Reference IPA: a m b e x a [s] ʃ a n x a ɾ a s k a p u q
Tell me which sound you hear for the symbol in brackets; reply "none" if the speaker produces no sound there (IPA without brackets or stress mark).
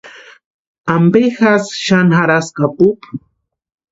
s